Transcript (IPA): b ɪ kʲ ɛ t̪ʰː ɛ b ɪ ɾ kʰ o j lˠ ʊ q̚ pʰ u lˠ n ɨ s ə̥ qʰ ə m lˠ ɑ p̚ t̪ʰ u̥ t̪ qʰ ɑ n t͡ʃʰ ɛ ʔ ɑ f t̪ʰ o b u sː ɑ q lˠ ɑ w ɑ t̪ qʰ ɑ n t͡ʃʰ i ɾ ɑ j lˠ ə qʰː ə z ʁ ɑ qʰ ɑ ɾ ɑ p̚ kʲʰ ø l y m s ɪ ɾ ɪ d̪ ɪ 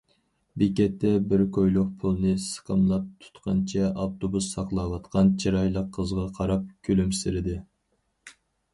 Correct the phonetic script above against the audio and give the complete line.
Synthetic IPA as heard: b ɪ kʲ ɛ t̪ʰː ɛ b ɪ ɾ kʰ o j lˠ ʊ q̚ pʰ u lˠ n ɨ s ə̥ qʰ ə m lˠ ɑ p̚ t̪ʰ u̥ t̪ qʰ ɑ n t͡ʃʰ ɛ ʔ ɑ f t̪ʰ o b u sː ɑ q lˠ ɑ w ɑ t̪ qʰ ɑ n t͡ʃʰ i ɾ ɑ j lˠ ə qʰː ə z ʁ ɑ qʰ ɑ ɾ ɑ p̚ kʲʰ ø l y m s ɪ ɾ ɪ d̪ ɪ